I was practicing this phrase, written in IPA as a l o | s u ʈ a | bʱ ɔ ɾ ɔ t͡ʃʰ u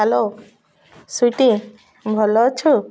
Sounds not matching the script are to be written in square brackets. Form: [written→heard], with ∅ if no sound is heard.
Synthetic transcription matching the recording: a l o | s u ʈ [a→i] | bʱ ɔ [ɾ→l] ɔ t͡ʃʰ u